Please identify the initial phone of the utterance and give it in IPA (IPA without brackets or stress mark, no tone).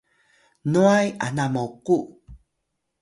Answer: n